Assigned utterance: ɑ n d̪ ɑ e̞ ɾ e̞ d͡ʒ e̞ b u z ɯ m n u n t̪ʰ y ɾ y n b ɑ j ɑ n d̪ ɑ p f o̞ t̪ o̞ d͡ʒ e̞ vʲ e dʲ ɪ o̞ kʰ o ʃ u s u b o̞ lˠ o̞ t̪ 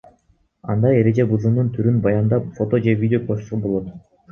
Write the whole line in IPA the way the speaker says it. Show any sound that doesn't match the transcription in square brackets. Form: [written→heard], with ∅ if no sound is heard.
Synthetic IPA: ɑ n d̪ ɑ e̞ ɾ e̞ d͡ʒ e̞ b u z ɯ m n u n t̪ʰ y ɾ y n b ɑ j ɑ n d̪ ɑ p f o̞ t̪ o̞ d͡ʒ e̞ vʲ [e→i] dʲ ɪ o̞ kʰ o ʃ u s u b o̞ lˠ o̞ t̪